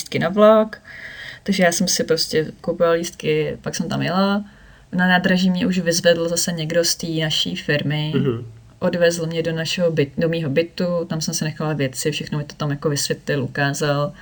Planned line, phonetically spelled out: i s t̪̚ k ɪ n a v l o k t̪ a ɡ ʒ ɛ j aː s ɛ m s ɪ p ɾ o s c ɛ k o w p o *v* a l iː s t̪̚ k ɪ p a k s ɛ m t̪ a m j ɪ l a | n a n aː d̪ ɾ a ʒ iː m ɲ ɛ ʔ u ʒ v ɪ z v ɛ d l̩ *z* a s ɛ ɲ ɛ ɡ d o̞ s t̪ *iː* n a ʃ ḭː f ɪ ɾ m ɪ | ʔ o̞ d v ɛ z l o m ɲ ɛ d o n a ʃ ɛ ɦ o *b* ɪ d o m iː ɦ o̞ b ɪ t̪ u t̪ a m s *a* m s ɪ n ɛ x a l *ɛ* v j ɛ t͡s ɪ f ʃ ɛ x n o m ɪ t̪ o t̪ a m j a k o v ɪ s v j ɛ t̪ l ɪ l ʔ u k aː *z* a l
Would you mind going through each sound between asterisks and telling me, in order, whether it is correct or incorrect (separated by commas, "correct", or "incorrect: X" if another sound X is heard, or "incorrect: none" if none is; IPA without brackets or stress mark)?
correct, correct, correct, correct, incorrect: ɛ, incorrect: a, correct